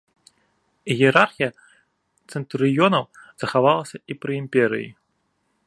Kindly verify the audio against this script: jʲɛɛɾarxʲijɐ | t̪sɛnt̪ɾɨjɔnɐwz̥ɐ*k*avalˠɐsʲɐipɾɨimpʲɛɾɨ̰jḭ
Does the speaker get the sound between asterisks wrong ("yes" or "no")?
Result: yes